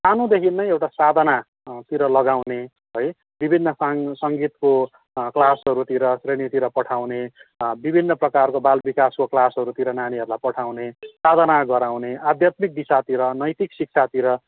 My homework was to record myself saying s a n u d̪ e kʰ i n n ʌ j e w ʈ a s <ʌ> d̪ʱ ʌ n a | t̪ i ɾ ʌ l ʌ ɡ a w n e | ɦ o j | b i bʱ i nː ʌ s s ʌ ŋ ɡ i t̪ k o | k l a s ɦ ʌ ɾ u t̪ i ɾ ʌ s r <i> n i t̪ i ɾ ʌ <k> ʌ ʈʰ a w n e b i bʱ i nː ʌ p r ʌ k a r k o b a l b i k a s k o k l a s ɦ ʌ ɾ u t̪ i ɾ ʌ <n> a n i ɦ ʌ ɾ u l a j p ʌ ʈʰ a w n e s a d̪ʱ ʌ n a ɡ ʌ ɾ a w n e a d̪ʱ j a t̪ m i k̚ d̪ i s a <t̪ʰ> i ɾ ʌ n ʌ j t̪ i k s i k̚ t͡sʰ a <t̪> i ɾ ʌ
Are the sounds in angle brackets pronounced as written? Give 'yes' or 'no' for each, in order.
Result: no, no, no, yes, no, yes

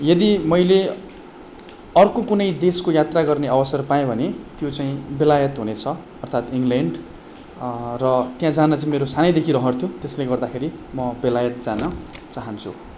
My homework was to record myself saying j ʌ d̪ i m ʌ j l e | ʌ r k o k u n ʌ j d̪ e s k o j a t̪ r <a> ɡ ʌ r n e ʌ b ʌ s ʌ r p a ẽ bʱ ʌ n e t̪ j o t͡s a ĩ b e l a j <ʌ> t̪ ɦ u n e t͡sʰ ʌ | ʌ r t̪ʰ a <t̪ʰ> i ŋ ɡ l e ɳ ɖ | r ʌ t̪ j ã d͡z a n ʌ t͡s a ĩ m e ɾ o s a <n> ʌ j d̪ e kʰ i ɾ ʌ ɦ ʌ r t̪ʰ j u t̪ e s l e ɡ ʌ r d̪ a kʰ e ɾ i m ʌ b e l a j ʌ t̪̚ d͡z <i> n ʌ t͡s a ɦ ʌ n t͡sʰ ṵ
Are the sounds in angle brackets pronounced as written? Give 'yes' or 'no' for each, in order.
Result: yes, yes, no, yes, no

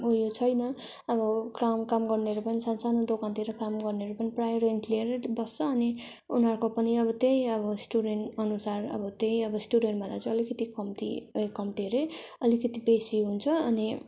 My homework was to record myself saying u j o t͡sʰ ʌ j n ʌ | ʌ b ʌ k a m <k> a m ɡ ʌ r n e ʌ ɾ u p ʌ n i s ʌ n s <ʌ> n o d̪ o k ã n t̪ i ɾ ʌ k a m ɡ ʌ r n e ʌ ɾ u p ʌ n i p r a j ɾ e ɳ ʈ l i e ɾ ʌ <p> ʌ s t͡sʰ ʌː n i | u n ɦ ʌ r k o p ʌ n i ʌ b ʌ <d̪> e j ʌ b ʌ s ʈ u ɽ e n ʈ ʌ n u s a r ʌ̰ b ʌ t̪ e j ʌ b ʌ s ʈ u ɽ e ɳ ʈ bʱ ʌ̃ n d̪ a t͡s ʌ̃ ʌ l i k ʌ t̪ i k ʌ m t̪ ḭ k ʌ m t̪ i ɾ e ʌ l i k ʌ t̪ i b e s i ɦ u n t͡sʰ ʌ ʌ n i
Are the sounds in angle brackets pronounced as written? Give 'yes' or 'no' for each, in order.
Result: yes, no, no, no

